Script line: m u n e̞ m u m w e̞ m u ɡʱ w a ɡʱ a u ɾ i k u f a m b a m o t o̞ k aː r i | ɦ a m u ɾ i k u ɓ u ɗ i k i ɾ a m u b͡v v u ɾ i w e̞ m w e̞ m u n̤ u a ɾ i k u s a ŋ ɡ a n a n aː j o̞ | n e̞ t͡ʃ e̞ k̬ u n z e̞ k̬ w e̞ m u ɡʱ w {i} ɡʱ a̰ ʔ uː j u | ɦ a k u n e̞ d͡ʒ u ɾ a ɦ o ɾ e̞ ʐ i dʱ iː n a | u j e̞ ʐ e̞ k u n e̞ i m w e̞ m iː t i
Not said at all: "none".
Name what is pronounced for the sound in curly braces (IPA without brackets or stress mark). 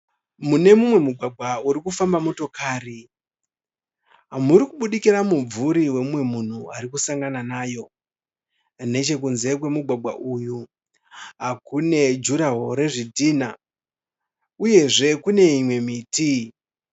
a